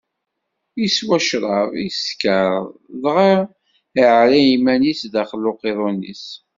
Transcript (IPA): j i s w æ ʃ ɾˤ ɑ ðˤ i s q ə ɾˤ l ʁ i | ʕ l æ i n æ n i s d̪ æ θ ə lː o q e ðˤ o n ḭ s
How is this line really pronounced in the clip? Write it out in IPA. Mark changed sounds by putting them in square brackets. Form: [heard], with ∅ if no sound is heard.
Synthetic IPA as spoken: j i s w æ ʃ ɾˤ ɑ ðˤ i s [k] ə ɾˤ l ʁ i | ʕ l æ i [m] æ n i s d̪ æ [χ] ə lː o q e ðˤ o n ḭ s